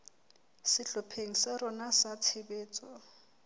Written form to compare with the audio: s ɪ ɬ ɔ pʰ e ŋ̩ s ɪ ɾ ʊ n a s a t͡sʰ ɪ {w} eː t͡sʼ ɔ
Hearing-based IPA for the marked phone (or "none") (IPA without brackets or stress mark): b